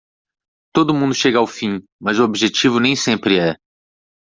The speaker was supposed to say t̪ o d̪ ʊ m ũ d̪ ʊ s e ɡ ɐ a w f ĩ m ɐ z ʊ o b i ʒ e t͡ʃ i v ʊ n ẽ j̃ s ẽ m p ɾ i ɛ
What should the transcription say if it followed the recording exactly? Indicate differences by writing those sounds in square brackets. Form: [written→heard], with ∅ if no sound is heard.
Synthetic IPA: t̪ o d̪ ʊ m ũ d̪ ʊ [s→ʃ] e ɡ ɐ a w f ĩ m ɐ z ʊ o b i ʒ e t͡ʃ i v ʊ n ẽ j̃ s ẽ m p ɾ [i→ɪ] ɛ